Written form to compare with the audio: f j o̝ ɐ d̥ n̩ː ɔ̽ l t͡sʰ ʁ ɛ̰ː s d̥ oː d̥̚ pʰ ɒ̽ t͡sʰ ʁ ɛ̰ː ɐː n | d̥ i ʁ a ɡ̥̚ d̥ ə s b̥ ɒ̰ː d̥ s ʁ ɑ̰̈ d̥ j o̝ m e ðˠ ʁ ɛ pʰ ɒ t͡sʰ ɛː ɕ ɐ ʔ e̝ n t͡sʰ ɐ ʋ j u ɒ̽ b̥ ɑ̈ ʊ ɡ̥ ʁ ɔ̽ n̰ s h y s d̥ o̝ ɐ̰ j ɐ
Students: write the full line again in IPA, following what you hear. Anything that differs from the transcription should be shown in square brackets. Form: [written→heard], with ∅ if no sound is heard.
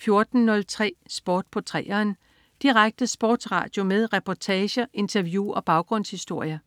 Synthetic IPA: f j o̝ ɐ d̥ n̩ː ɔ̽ l t͡sʰ ʁ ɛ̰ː s [d̥→b̥] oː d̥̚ pʰ ɒ̽ t͡sʰ ʁ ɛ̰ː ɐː n | d̥ i ʁ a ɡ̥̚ d̥ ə s b̥ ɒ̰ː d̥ s ʁ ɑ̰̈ d̥ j o̝ m e ðˠ ʁ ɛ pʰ ɒ t͡sʰ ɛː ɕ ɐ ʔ e̝ n t͡sʰ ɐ ʋ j u ɒ̽ b̥ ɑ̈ ʊ ɡ̥ ʁ ɔ̽ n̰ s h [y→i] s d̥ o̝ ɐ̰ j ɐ

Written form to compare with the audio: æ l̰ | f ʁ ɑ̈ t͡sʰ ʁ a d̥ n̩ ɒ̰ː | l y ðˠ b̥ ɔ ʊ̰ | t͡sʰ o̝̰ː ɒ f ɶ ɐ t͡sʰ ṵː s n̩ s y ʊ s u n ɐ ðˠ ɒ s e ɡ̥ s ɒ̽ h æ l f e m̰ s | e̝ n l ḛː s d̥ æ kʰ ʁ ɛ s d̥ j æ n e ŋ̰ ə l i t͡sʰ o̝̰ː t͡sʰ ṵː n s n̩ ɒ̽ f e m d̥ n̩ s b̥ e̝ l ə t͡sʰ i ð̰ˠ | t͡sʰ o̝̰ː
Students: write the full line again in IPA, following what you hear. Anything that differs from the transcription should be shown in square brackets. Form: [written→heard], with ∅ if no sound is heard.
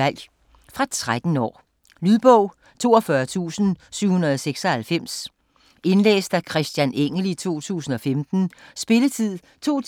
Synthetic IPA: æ l̰ | f ʁ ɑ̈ t͡sʰ ʁ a d̥ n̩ ɒ̰ː | l y ðˠ b̥ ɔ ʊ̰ | t͡sʰ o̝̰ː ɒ f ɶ ɐ t͡sʰ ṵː s n̩ s y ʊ [s→h] u n ɐ ðˠ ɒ s e ɡ̥ s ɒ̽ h æ l f e m̰ s | e̝ n l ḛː s d̥ æ kʰ ʁ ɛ s d̥ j æ n e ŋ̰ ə l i t͡sʰ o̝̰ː t͡sʰ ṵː [n→∅] s n̩ ɒ̽ f e m d̥ n̩ s b̥ e̝ l ə t͡sʰ i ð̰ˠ | t͡sʰ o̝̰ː

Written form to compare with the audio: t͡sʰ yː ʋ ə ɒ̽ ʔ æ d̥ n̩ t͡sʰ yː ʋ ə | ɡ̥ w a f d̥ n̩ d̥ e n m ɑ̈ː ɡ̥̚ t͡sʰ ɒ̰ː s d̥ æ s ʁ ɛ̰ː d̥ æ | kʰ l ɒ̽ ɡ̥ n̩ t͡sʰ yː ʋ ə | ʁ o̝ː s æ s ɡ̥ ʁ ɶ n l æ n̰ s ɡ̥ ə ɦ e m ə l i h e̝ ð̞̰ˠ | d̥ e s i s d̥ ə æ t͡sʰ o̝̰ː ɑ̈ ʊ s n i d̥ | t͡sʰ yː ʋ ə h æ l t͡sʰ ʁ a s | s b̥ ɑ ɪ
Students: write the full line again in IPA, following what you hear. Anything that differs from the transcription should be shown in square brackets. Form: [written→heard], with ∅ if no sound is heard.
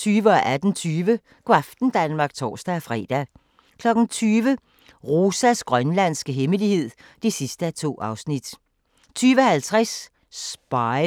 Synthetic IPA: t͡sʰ yː ʋ ə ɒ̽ ʔ æ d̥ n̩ t͡sʰ yː ʋ ə | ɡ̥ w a f d̥ n̩ d̥ [e→æ] n m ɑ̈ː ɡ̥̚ t͡sʰ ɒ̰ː s d̥ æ [s→f] ʁ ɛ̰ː d̥ æ | kʰ l ɒ̽ ɡ̥ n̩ t͡sʰ yː ʋ ə | ʁ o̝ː s æ s ɡ̥ ʁ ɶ n l æ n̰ s ɡ̥ ə ɦ e m ə l i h e̝ ð̞̰ˠ | d̥ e s i s d̥ ə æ t͡sʰ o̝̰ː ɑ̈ ʊ s n i d̥ | t͡sʰ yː ʋ ə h æ l t͡sʰ ʁ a s | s b̥ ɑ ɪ

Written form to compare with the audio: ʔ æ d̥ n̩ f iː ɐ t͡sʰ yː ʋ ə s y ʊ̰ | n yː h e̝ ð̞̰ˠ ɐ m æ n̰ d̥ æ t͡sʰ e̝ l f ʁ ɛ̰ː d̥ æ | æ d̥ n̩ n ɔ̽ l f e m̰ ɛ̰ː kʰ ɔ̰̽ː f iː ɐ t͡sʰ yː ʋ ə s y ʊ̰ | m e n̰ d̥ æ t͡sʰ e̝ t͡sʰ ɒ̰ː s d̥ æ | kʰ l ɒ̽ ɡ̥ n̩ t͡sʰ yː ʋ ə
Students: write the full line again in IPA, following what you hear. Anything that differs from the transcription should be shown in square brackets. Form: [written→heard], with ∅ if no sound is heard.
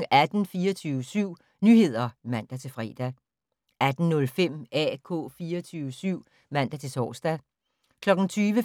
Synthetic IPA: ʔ æ d̥ n̩ f iː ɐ t͡sʰ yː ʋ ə s y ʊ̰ | n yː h e̝ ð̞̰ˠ ɐ m æ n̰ d̥ æ t͡sʰ e̝ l f ʁ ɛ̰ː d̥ æ | æ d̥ n̩ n ɔ̽ l f e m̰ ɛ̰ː kʰ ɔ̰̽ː f iː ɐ t͡sʰ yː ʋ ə s y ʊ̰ | m [e→æ] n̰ d̥ æ t͡sʰ e̝ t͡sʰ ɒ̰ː s d̥ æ | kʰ l ɒ̽ ɡ̥ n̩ t͡sʰ yː ʋ ə

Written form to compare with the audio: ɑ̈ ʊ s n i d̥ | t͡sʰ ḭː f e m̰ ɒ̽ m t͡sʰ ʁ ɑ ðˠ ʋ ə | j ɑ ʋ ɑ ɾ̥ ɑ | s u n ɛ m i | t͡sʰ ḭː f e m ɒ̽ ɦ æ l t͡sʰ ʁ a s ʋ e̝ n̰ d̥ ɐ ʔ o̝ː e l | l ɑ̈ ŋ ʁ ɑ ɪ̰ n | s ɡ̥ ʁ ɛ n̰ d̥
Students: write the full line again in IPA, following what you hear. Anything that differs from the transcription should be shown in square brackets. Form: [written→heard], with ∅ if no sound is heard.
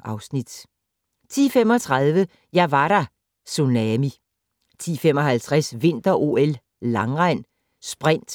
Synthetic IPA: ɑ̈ ʊ s n i d̥ | t͡sʰ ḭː f e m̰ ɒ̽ [m→∅] t͡sʰ ʁ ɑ ðˠ ʋ ə | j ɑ ʋ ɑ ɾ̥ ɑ | s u n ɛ m i | t͡sʰ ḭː f e m ɒ̽ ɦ æ l t͡sʰ ʁ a s ʋ e̝ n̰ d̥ ɐ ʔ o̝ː e l | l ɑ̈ ŋ ʁ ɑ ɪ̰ n | s [ɡ̥→b̥] ʁ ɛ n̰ d̥

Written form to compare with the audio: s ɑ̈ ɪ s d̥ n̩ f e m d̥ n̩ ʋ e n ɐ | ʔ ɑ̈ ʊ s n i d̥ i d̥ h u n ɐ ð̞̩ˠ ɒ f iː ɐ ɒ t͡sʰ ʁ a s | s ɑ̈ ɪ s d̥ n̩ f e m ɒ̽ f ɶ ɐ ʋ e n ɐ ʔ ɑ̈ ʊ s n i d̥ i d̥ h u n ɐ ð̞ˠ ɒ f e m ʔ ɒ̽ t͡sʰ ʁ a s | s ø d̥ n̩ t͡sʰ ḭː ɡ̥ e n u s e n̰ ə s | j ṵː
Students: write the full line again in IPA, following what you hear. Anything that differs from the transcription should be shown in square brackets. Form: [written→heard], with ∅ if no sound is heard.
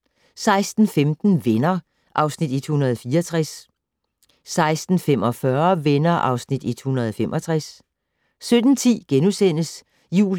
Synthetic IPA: s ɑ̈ ɪ s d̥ n̩ f e m d̥ n̩ ʋ e n ɐ | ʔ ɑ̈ ʊ s n i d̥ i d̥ h u n ɐ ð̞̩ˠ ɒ f iː ɐ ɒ t͡sʰ ʁ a s | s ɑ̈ ɪ s d̥ n̩ f e m ɒ̽ f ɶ ɐ ʋ e n ɐ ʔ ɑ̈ ʊ s n i d̥ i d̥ h u n ɐ ð̞ˠ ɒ f e m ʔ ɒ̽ t͡sʰ ʁ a s | s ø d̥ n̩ t͡sʰ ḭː ɡ̥ e n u s e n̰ ə s | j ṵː

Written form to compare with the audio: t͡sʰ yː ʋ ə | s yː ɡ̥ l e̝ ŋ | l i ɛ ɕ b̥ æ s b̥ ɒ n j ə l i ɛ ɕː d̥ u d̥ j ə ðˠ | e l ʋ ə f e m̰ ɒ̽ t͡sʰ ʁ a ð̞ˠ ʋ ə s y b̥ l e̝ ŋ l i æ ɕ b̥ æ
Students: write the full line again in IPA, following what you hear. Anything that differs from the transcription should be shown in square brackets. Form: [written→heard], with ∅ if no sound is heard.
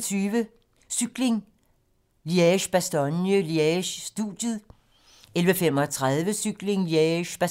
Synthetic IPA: t͡sʰ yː ʋ ə | s [yː→y] ɡ̥ l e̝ ŋ | l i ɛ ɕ b̥ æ s [b̥→d̥] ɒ n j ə l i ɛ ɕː d̥ u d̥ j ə ðˠ | e l ʋ ə f e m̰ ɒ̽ t͡sʰ ʁ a ð̞ˠ ʋ ə s y [b̥→ɡ̥] l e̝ ŋ l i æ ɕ b̥ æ

